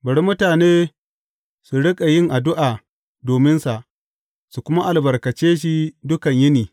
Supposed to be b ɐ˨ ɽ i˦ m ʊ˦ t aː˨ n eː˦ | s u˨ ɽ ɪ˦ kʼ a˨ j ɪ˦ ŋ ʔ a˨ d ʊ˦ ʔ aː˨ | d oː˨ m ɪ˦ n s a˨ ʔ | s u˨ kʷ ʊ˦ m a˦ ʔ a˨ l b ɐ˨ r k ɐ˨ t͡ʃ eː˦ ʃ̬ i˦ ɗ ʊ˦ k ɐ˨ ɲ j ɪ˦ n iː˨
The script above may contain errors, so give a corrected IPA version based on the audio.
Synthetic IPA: b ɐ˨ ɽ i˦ m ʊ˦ t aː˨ n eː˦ | s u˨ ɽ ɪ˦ kʼ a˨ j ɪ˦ ŋ ʔ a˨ d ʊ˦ ʔ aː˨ | d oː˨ m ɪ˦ n s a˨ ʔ | s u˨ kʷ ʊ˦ m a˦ ʔ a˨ l b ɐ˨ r k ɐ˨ t͡ʃ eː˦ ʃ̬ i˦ d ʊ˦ k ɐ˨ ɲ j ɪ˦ n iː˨